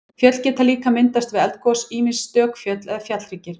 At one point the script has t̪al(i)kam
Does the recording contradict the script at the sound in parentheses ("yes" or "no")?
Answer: yes